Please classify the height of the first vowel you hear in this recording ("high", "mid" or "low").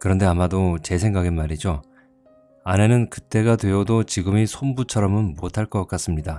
high